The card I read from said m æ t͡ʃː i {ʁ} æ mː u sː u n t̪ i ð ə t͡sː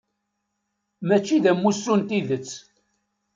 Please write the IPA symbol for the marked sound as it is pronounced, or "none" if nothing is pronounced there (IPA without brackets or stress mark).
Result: ð